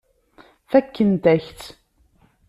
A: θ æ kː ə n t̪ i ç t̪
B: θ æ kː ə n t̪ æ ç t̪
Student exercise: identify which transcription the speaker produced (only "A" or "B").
B